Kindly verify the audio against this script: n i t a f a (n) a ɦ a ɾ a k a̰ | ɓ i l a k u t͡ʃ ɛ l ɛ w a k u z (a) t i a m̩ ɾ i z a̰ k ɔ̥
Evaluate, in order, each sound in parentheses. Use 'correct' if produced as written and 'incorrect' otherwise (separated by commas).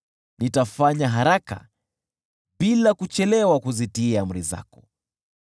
incorrect, incorrect